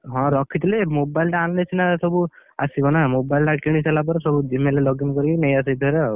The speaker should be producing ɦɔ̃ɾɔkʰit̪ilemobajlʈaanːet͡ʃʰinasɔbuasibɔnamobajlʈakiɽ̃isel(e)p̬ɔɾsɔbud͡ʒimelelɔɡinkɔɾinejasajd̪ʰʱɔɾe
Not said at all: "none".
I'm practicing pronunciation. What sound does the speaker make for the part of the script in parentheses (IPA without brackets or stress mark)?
a